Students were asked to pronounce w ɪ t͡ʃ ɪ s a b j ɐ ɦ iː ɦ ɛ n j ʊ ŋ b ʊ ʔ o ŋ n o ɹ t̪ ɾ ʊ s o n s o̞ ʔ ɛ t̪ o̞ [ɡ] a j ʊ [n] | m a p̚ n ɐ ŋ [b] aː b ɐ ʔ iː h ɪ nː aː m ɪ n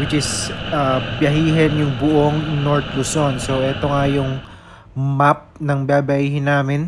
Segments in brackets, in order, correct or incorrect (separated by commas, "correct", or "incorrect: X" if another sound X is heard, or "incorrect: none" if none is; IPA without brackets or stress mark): incorrect: ŋ, incorrect: ŋ, correct